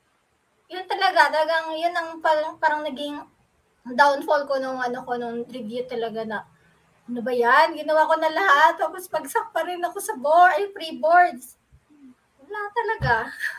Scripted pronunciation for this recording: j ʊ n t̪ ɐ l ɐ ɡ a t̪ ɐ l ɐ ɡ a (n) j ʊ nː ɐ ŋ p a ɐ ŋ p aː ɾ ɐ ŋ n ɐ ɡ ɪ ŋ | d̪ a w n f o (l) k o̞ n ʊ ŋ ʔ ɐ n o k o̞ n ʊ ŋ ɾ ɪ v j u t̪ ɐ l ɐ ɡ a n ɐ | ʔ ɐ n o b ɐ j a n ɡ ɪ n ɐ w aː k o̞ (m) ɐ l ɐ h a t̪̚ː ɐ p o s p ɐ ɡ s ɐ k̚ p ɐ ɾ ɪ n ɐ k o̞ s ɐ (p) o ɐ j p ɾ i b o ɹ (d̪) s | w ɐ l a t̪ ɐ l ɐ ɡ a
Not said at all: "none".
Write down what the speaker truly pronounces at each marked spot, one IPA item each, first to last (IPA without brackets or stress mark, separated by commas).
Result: ŋ, l, n, b, d̪